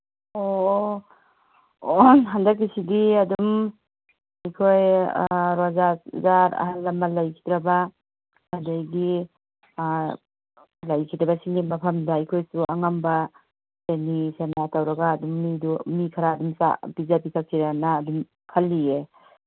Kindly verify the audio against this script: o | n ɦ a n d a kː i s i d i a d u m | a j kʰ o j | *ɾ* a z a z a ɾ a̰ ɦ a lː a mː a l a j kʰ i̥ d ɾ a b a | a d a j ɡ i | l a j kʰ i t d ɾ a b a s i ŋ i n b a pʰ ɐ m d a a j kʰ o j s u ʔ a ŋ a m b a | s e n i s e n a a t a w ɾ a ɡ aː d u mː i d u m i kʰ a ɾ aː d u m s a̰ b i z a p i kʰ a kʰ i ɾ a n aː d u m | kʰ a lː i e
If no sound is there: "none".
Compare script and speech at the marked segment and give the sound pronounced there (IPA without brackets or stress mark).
ɾ